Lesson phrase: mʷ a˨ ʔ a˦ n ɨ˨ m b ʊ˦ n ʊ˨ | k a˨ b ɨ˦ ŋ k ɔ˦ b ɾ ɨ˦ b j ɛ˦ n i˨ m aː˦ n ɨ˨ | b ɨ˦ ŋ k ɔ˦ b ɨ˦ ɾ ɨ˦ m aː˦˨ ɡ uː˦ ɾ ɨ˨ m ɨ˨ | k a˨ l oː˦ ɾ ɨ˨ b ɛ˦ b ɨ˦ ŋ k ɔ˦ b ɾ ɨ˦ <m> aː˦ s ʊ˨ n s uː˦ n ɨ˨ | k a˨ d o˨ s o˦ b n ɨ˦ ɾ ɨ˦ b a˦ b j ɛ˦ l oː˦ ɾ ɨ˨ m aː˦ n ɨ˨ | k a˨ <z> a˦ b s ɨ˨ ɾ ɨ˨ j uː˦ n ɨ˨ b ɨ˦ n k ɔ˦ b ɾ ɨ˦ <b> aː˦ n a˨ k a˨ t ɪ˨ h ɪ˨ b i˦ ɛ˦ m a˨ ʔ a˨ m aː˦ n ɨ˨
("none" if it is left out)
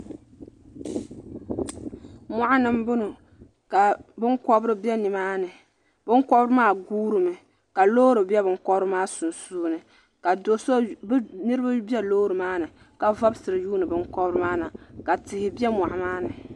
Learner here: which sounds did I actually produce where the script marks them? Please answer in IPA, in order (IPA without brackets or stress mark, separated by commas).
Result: m, v, m